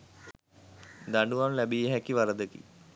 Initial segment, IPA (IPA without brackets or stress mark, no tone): d̪